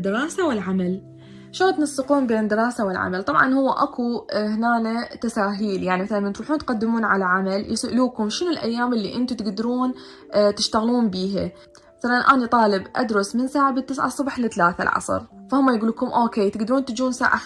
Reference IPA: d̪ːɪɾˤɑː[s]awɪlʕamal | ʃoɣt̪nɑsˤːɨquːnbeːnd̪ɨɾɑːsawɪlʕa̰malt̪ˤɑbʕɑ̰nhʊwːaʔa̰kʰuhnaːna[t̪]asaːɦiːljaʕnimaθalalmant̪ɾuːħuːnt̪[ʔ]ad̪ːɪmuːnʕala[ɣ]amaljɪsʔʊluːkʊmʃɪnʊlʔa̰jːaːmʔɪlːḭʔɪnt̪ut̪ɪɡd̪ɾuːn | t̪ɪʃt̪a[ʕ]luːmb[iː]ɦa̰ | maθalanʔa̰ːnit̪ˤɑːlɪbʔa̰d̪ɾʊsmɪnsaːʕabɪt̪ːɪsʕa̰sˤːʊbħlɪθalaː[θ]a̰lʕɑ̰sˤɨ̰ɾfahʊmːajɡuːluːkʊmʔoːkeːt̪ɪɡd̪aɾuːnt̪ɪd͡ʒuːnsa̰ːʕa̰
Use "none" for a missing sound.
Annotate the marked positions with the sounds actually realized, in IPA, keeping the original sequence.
s, t̪, q, ʕ, ɣ, iː, θ

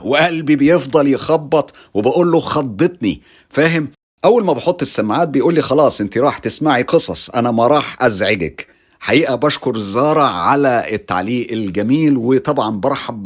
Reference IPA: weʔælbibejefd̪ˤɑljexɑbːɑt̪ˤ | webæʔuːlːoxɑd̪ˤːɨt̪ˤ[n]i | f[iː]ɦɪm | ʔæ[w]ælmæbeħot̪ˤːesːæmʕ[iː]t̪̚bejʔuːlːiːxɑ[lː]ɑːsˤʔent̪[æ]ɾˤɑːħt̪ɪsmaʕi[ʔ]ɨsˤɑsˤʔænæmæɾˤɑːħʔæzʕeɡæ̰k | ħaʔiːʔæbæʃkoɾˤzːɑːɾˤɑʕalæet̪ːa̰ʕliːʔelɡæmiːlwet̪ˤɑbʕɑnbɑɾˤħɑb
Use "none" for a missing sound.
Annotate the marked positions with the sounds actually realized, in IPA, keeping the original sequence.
n, æː, wː, aː, l, i, q

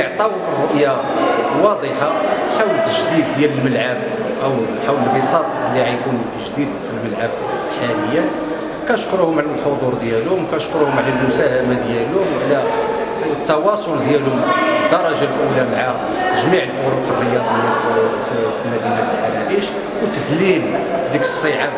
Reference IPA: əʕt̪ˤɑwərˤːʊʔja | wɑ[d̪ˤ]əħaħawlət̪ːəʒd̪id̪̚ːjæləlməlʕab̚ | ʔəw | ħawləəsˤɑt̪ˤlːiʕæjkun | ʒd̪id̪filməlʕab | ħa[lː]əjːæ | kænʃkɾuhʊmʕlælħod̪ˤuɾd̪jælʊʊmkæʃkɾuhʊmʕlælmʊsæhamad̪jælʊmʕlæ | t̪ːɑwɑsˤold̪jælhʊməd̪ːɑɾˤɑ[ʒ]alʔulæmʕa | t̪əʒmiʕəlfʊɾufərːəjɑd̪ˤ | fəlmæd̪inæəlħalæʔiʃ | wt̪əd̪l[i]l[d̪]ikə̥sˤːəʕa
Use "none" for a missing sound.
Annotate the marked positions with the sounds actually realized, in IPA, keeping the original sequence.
d̪ˤ, l, ʒ, i, d̪

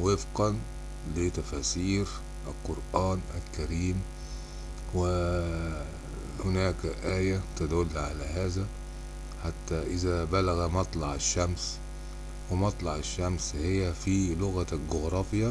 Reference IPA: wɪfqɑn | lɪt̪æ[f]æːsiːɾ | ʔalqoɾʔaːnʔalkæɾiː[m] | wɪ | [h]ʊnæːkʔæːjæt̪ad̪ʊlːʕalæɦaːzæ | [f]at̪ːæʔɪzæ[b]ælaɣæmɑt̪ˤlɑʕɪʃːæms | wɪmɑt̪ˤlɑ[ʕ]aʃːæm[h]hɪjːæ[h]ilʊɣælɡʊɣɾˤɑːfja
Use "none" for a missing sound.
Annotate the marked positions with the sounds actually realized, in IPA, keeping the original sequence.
f, m, h, ħ, b, ʕ, s, f

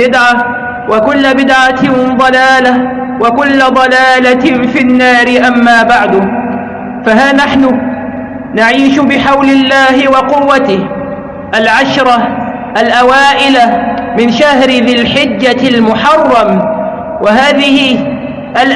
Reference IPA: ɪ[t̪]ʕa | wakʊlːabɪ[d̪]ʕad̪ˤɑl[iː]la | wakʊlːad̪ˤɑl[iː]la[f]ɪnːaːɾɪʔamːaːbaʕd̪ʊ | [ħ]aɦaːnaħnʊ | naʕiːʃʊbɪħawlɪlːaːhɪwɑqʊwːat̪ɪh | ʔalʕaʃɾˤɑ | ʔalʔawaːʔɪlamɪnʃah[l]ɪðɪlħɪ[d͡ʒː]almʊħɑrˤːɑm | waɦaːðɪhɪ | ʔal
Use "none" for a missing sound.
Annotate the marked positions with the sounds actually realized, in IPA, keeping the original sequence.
d̪, d̪, aː, aː, f, f, ɾ, d͡ʒː

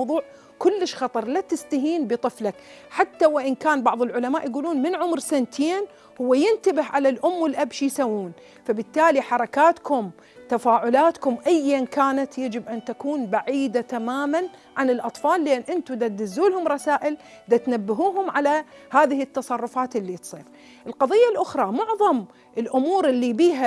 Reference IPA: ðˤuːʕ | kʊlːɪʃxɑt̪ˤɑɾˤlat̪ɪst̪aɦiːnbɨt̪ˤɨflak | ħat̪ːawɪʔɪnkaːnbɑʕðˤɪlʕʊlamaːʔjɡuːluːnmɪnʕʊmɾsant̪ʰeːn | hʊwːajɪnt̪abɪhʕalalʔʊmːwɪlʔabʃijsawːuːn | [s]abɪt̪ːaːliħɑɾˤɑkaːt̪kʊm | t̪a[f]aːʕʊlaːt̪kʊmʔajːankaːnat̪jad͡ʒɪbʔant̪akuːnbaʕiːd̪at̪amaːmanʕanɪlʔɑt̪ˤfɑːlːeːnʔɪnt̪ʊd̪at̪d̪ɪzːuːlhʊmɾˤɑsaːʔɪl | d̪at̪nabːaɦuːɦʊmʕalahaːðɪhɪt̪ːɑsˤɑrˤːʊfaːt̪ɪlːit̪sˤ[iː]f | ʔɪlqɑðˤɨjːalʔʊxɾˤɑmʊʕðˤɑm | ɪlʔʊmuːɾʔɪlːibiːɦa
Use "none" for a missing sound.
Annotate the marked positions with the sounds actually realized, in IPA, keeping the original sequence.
f, f, iː

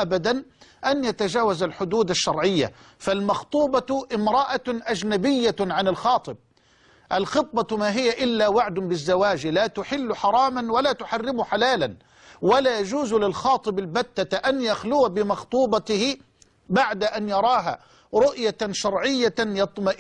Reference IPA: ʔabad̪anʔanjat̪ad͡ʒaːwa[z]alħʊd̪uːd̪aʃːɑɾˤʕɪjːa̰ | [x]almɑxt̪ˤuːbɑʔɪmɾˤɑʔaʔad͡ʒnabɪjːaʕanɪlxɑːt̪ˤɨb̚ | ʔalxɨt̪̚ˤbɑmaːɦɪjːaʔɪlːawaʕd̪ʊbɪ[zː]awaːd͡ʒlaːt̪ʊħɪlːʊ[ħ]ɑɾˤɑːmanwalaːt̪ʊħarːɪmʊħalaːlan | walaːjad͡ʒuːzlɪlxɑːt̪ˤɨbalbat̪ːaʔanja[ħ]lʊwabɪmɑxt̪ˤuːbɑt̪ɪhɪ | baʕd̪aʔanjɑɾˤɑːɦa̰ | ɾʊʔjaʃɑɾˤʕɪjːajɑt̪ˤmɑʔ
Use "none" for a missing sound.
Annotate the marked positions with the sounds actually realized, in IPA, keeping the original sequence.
z, f, zː, ħ, x

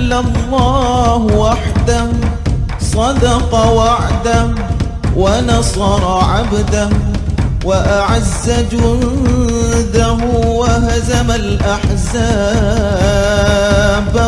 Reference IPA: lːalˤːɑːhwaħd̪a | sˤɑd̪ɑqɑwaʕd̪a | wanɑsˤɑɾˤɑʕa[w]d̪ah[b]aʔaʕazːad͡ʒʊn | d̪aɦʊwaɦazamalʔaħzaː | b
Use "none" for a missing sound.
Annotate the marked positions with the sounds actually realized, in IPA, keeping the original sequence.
b, w

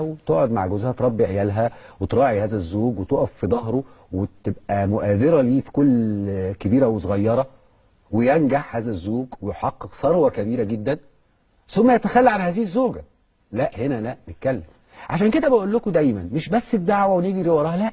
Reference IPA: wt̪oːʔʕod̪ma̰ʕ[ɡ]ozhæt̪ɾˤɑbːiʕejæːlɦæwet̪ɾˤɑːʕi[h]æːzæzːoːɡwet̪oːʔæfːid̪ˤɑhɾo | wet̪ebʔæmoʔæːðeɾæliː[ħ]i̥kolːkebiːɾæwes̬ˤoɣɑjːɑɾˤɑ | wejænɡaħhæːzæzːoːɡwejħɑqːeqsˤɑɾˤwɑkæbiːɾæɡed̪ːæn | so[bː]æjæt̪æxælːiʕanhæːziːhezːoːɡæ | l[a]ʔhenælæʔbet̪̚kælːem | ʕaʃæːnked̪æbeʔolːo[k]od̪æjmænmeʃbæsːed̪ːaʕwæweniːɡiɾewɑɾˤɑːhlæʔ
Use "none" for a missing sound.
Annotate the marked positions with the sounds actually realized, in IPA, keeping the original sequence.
ɡ, h, f, mː, æ, k

